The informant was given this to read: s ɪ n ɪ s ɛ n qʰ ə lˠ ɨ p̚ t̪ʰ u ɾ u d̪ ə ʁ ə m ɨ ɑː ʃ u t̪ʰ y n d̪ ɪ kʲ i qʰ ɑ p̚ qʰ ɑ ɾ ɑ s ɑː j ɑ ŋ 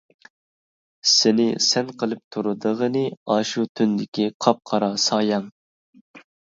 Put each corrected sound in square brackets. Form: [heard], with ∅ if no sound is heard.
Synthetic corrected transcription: s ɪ n ɪ s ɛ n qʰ ə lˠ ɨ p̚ t̪ʰ u ɾ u d̪ ə ʁ ə [n] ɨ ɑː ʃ u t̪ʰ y n d̪ ɪ kʲ i qʰ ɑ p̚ qʰ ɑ ɾ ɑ s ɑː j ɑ ŋ